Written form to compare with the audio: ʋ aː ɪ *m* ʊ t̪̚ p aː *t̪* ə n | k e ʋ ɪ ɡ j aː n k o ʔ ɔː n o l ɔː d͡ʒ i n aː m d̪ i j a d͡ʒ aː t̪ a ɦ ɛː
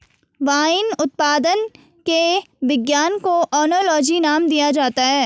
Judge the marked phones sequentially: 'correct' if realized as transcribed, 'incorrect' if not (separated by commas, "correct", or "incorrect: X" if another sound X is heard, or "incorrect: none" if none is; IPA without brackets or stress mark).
incorrect: n, incorrect: d̪